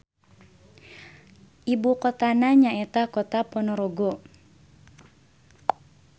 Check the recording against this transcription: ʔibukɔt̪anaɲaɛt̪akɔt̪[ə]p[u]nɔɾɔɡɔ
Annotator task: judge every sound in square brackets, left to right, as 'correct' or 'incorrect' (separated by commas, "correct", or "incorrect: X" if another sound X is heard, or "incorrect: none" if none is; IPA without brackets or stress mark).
incorrect: a, incorrect: ɔ